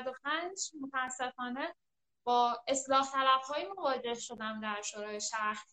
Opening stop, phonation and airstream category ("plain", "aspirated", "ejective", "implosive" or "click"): plain